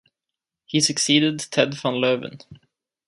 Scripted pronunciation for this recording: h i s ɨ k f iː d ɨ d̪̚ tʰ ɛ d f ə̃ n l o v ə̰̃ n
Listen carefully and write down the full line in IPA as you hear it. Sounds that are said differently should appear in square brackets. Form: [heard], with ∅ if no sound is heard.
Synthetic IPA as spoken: h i s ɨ k [s] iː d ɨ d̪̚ tʰ ɛ d f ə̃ n l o v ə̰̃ n